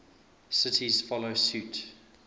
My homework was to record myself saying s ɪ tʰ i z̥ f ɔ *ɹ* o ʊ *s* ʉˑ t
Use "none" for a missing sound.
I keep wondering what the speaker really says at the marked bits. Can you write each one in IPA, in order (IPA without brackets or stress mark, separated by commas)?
l, s